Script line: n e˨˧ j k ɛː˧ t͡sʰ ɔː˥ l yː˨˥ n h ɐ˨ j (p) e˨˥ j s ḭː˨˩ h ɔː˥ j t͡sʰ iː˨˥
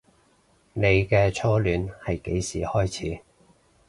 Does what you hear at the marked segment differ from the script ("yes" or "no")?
yes